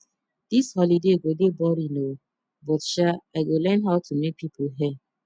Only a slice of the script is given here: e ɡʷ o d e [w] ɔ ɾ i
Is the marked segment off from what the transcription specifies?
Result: yes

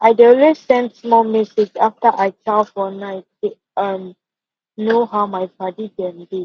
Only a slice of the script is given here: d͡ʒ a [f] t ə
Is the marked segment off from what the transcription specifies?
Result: no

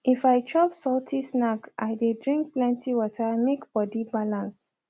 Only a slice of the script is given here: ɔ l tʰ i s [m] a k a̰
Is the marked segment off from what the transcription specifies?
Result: yes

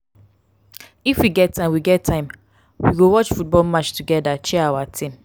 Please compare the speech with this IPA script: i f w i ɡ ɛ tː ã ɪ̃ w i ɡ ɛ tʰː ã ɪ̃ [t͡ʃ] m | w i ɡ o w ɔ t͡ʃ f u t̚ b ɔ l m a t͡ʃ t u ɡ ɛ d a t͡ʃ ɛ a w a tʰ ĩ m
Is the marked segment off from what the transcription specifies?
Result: yes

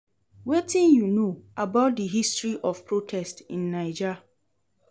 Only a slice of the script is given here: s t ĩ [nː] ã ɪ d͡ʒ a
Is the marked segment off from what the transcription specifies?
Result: no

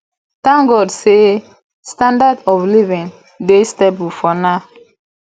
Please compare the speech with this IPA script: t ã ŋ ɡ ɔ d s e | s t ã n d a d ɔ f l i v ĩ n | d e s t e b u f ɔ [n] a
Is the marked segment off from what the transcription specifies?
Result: no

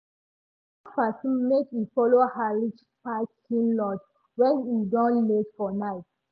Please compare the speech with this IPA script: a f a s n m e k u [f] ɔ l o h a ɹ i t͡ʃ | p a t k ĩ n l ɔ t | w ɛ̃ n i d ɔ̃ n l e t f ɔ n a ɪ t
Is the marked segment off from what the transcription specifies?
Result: no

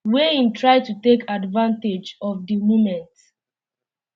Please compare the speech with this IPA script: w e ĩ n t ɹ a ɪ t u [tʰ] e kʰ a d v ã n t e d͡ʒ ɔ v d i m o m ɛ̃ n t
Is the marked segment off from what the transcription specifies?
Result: yes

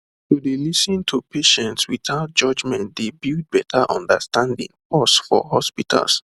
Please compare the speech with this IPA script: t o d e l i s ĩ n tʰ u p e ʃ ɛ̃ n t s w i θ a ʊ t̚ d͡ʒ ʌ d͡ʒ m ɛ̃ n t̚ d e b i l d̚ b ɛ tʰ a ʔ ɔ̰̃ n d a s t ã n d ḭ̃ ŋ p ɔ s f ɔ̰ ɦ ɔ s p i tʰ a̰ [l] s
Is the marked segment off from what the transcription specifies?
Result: no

